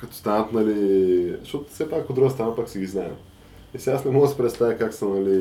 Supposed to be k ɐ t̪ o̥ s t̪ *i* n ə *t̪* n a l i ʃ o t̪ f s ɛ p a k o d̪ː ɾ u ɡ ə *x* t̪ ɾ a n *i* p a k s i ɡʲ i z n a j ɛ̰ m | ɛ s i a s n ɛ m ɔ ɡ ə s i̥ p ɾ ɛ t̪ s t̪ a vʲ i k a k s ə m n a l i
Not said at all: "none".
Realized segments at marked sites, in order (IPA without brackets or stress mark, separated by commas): a, t̪, s, a